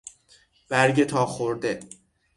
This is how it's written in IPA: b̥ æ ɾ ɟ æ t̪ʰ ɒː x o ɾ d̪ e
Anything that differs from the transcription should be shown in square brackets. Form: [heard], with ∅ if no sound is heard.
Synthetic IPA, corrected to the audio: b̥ æ ɾ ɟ [e] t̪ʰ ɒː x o ɾ d̪ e